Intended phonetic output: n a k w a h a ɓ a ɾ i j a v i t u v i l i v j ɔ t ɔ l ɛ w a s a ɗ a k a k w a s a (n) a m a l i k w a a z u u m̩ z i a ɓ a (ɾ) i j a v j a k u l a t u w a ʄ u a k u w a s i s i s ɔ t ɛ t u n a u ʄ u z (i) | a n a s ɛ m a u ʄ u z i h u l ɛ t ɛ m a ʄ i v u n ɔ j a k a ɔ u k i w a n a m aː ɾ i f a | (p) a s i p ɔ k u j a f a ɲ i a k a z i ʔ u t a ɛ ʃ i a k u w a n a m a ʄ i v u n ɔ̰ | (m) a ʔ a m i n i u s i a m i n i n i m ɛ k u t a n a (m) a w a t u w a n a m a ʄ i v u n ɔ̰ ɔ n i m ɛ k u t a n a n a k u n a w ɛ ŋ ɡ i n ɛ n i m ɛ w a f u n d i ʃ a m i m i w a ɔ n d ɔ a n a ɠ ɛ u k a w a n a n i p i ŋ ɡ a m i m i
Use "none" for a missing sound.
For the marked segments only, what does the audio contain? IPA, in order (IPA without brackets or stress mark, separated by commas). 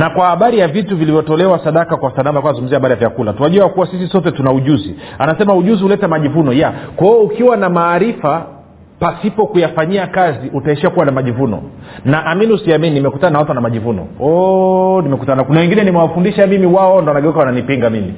n, ɾ, i, p, n, n